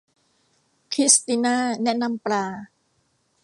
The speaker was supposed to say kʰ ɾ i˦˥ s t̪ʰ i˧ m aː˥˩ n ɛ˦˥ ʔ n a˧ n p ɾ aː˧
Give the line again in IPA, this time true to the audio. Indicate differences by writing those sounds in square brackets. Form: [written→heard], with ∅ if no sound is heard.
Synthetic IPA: kʰ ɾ i˦˥ s [t̪ʰ→t̪] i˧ [m→n] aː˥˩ n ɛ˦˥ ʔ n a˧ [n→m] p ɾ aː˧